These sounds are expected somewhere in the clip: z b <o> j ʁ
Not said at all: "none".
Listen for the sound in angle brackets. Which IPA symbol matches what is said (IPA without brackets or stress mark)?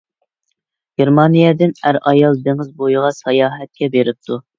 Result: o